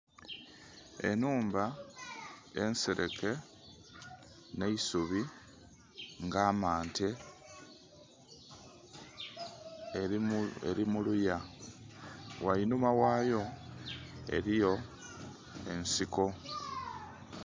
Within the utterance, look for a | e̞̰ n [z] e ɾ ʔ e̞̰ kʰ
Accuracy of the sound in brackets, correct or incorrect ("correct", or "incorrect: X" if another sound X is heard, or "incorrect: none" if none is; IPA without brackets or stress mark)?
incorrect: s